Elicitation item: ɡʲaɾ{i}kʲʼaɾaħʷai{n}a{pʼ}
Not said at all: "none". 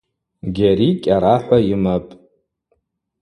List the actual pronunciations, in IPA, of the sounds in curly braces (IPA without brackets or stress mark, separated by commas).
i, m, pʼ